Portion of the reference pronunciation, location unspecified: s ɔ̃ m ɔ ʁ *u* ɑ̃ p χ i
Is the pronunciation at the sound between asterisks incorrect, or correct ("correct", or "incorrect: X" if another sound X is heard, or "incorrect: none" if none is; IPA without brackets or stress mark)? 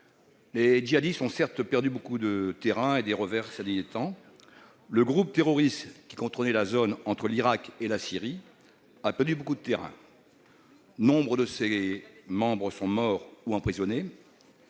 correct